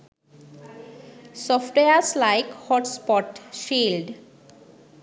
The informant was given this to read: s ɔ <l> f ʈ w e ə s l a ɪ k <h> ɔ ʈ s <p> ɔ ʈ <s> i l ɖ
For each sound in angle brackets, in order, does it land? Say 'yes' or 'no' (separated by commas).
no, yes, yes, no